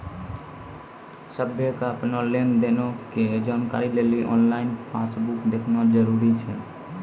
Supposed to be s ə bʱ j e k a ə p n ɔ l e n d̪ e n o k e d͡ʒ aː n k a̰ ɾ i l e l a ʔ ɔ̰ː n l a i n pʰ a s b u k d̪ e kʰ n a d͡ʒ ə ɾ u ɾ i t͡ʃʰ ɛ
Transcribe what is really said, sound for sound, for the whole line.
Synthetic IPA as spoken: s ə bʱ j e k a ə p n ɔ l e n d̪ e n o k e d͡ʒ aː n k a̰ ɾ i l e l i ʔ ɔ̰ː n l a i n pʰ a s b u k d̪ e kʰ n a d͡ʒ ə ɾ u ɾ i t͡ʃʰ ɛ